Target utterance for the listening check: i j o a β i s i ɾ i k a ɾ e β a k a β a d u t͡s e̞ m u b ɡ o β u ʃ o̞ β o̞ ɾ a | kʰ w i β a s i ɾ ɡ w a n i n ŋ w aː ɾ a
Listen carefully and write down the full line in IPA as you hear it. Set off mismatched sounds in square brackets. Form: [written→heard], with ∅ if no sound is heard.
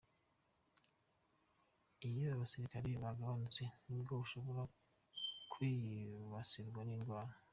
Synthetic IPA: i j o a β [i→a] s i ɾ i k a ɾ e β a [k→ɡ] a β a [d→n] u t͡s e̞ [m→n] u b ɡ o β u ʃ o̞ β o̞ ɾ a | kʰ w i β a s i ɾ ɡ w a n i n [ŋ→ɡ] w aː ɾ a